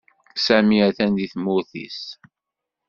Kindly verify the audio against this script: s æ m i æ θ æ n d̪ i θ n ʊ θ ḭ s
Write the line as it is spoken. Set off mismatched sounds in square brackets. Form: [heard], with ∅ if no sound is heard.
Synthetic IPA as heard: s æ m i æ θ æ n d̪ i θ [m] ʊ θ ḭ s